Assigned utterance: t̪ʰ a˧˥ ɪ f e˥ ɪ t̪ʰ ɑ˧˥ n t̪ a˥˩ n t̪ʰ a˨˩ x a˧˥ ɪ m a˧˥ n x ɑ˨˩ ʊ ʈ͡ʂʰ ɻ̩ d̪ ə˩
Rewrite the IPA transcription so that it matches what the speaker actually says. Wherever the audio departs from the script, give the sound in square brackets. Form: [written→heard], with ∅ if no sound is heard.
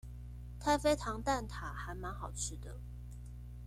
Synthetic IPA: t̪ʰ [a˧˥→a˥˧] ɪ f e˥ ɪ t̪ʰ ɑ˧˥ [n→ŋ] t̪ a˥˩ n t̪ʰ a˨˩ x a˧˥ ɪ m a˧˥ n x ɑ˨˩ ʊ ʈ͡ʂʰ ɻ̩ d̪ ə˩